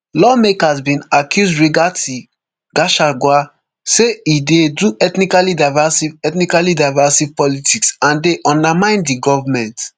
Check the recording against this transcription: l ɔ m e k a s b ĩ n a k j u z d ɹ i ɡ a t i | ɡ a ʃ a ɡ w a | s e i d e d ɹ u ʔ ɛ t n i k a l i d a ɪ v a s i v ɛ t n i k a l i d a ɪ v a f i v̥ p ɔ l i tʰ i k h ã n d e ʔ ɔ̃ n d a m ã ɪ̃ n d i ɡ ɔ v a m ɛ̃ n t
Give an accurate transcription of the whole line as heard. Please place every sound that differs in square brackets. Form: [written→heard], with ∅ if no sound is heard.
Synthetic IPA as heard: l ɔ m e k a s b ĩ n a k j u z d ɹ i ɡ a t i | ɡ a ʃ a ɡ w a | s e i d e d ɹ u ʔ ɛ t n i k a l i d a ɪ v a s i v ɛ t n i k a l i d a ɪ v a [f→s] i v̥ p ɔ l i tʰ i k [h→s] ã n d e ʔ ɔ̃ n d a m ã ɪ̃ n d i ɡ ɔ v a m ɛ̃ n t